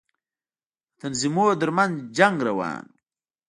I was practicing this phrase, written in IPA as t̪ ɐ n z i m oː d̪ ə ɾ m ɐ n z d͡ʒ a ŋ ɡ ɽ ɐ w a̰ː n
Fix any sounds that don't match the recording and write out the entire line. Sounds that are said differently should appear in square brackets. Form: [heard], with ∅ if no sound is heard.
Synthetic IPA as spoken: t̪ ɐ n z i m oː d̪ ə ɾ m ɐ n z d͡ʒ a ŋ ɡ [ɾ] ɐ w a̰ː n